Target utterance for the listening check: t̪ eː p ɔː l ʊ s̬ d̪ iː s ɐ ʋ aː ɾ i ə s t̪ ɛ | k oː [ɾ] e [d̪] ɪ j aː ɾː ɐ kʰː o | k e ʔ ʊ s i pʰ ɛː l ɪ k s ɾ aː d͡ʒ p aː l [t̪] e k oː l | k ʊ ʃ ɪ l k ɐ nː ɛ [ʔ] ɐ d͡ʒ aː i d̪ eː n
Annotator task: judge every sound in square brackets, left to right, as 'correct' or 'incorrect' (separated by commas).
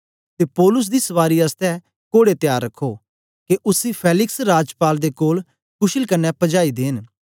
incorrect, incorrect, incorrect, incorrect